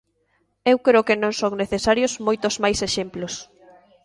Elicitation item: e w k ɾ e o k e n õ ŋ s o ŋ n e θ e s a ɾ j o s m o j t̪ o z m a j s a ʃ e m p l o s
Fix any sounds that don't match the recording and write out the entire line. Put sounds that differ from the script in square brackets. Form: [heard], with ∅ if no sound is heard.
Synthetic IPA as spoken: e w k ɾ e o k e n õ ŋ s o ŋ n e θ e s a ɾ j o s m o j t̪ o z m a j s [e] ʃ e m p l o s